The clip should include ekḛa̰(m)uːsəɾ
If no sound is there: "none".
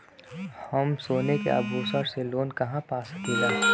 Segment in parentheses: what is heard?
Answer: b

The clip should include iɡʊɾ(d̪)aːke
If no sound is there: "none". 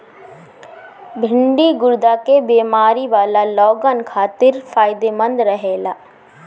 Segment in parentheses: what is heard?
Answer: d̪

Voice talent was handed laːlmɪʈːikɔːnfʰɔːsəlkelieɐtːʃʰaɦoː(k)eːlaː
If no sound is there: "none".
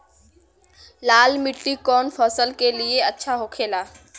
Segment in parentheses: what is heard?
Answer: kʰ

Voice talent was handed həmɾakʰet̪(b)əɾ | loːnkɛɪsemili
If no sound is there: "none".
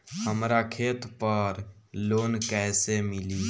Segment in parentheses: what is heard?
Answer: p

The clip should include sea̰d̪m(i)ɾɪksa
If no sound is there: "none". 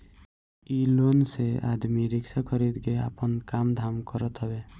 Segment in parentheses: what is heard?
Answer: i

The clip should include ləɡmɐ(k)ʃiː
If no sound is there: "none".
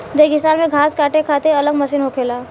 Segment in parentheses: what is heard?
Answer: none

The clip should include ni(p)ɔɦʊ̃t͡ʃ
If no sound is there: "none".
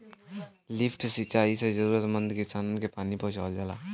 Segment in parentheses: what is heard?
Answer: p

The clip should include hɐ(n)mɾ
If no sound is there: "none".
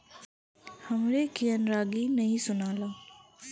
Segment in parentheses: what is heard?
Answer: none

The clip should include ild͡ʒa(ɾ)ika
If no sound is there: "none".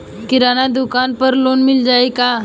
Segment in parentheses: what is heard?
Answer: none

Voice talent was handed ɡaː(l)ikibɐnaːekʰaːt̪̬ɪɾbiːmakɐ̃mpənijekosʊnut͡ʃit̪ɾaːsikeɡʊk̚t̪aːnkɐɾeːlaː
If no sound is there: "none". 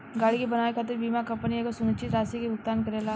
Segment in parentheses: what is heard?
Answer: ɽ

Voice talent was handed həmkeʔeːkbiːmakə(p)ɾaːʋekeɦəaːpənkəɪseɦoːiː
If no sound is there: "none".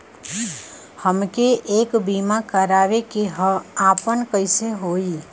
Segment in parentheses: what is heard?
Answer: none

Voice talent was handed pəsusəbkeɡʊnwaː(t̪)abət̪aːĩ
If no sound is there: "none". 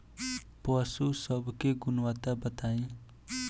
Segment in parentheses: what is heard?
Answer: t̪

